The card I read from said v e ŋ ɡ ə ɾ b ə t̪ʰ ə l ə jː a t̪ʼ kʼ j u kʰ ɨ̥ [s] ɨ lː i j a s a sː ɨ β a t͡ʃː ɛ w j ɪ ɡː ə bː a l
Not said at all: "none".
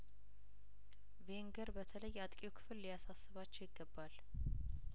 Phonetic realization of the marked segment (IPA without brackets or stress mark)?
f